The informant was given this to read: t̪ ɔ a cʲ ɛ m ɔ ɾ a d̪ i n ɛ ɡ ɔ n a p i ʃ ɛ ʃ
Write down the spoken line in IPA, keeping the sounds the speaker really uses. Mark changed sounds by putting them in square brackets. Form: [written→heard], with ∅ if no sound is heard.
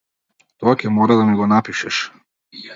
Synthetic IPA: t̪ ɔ a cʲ ɛ m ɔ ɾ a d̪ [i→a] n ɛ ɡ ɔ n a p i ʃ ɛ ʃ